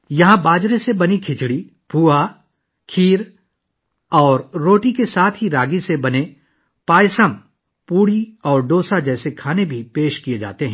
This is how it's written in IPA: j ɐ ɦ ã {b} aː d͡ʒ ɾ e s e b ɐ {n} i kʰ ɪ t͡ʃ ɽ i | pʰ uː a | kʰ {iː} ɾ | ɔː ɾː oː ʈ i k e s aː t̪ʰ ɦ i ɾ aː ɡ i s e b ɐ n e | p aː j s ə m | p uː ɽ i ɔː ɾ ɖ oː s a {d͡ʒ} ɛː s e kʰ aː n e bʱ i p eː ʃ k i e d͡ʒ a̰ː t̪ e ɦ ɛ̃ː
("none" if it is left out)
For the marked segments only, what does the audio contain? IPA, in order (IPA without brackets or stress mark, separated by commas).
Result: b, n, iː, d͡ʒ